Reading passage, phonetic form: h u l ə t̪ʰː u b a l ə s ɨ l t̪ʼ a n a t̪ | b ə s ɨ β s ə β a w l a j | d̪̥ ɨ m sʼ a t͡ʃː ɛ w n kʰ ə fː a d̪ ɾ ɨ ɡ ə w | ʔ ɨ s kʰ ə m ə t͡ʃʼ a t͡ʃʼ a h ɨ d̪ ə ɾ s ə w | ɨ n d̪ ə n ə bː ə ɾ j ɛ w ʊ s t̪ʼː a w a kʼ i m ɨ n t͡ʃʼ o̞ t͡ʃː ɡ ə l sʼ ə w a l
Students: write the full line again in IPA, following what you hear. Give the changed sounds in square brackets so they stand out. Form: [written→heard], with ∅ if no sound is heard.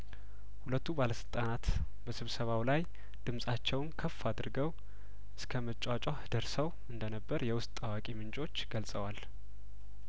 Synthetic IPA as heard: h u l ə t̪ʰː u b a l ə s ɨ l t̪ʼ a n a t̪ | b ə s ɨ β s ə β a w l a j | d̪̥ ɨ m sʼ a t͡ʃː ɛ w n kʰ ə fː a d̪ ɾ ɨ ɡ ə w | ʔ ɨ s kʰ ə m ə t͡ʃʼ a t͡ʃʼ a h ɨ d̪ ə ɾ s ə w | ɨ n d̪ ə n ə bː ə ɾ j ɛ w ʊ s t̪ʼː a w a kʼ i m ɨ n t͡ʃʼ o̞ t͡ʃː ɡ ə l sʼ ə w a l